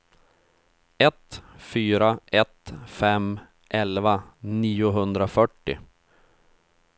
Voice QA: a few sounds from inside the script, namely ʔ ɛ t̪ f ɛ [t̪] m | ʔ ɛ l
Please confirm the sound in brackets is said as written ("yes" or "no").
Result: no